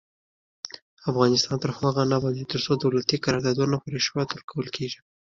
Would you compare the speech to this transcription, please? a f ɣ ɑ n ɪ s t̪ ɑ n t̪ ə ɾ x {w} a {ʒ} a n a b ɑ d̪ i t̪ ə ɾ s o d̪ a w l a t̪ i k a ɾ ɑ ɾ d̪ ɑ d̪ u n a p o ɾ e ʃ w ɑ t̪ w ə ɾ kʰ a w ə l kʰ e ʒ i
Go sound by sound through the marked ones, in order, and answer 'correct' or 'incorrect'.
correct, incorrect

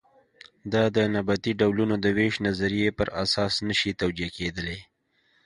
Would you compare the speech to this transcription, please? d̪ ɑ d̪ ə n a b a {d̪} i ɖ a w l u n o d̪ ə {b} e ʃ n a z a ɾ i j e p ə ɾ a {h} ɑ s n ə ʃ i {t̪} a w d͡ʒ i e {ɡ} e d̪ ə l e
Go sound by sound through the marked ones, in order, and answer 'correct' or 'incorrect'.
incorrect, incorrect, incorrect, correct, incorrect

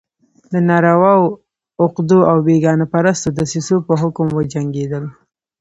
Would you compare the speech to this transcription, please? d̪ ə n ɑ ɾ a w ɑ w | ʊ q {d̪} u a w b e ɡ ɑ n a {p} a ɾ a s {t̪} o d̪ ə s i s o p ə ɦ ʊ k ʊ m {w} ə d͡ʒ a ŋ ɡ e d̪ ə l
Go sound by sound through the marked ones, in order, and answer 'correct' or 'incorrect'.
correct, correct, correct, correct

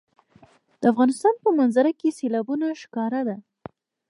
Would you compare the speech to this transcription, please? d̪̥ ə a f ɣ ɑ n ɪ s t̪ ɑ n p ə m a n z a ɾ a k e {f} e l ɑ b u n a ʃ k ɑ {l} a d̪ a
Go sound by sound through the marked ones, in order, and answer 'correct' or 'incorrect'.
incorrect, incorrect

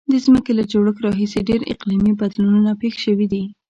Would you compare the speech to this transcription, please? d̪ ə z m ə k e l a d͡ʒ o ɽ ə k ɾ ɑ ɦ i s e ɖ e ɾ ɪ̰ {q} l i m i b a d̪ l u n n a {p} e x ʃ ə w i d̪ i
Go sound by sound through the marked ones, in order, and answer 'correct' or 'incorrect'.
correct, correct

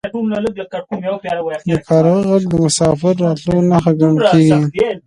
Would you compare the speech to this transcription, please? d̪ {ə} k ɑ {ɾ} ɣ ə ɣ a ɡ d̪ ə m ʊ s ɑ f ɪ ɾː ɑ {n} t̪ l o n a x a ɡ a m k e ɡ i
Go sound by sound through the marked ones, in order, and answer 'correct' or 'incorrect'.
correct, correct, incorrect

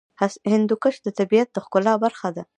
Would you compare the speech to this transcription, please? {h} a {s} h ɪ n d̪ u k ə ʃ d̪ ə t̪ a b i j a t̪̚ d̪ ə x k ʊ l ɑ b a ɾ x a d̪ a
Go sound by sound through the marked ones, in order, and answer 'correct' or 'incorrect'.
correct, correct

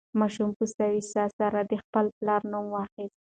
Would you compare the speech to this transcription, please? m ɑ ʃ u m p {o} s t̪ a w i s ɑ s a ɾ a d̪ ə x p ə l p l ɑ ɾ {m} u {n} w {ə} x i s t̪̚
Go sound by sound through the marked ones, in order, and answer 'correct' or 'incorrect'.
incorrect, incorrect, incorrect, incorrect

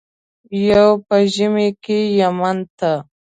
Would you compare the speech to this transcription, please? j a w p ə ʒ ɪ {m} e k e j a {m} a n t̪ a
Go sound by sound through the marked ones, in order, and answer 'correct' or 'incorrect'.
correct, correct

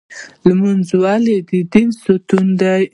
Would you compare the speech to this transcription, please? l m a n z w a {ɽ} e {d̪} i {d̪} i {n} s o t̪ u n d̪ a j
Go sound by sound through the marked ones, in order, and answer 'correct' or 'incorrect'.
incorrect, correct, correct, correct

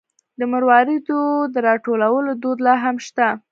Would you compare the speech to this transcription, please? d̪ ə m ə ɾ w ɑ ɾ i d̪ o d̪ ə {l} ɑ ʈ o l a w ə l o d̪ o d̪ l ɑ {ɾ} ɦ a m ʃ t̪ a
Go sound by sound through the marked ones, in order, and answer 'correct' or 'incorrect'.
incorrect, incorrect

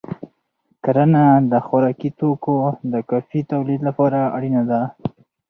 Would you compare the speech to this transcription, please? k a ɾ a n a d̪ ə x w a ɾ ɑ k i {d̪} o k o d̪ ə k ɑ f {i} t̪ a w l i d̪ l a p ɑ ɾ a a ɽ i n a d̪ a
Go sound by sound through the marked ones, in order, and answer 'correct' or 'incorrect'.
incorrect, correct

